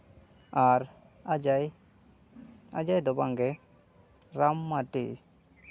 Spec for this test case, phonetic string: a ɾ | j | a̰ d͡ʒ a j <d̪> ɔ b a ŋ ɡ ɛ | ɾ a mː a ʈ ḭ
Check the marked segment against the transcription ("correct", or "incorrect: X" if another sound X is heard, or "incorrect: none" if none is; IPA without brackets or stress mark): correct